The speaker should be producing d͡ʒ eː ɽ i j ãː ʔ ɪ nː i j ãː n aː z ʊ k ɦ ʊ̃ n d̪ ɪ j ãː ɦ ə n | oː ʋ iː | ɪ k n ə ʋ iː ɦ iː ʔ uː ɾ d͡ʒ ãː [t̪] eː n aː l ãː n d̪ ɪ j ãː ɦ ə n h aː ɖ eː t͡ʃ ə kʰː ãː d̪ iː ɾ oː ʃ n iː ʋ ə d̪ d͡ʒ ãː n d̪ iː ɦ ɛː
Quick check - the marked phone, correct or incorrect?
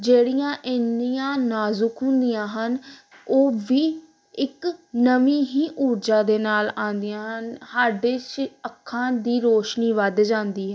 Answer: incorrect